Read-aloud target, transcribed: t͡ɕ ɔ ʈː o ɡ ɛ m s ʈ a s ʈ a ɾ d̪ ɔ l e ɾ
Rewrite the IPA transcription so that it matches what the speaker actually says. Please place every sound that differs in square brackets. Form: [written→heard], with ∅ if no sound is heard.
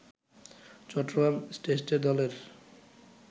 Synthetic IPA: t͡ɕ ɔ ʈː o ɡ [ɛ→a] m s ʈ [a→e] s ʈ [a→e] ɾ d̪ ɔ l e ɾ